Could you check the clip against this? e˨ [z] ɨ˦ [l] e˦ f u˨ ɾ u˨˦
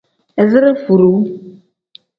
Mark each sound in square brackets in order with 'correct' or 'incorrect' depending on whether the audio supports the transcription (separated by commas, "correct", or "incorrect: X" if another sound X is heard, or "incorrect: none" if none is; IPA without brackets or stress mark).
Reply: correct, incorrect: ɾ